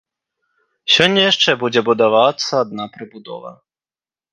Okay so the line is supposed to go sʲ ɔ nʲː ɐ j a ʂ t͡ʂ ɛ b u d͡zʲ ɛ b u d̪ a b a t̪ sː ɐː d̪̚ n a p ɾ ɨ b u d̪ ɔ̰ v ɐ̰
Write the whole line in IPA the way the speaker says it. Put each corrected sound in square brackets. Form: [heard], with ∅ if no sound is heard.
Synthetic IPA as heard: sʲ ɔ nʲː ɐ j a ʂ t͡ʂ ɛ b u d͡zʲ ɛ b u d̪ a [v] a t̪ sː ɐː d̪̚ n a p ɾ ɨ b u d̪ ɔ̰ v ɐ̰